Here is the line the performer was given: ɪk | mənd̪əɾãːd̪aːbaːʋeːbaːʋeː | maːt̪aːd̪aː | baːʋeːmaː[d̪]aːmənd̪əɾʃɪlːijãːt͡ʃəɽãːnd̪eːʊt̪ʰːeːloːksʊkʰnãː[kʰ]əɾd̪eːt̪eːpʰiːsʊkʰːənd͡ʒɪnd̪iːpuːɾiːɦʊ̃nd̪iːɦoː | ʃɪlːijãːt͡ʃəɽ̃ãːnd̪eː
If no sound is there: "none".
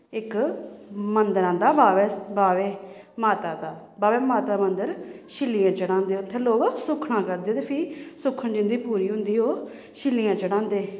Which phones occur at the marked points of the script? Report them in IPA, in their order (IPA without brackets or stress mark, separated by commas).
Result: t̪, k